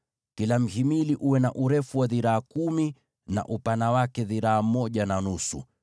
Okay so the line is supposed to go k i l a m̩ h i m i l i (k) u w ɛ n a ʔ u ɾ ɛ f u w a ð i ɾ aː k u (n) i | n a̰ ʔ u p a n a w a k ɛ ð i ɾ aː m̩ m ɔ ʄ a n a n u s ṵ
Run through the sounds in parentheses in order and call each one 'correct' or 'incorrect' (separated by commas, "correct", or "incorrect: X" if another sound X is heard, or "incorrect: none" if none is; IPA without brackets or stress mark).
incorrect: ʔ, incorrect: m